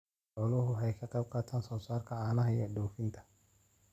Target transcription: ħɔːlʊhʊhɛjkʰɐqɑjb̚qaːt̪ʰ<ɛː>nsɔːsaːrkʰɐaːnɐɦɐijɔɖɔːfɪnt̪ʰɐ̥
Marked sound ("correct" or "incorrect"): incorrect